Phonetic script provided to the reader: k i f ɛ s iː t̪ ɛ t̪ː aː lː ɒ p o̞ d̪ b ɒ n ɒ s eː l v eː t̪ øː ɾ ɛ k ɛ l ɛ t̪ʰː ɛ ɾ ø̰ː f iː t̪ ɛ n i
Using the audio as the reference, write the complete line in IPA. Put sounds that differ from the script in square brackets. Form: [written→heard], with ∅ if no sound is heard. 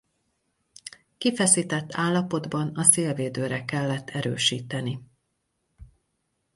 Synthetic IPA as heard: k i f ɛ s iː t̪ ɛ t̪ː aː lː ɒ p o̞ d̪ b ɒ n ɒ s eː l v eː [t̪→d̪] øː ɾ ɛ k ɛ [l→lː] ɛ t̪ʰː ɛ ɾ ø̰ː [f→ʃ] iː t̪ ɛ n i